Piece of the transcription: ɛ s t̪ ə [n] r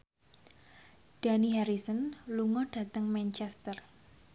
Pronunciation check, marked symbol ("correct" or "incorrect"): incorrect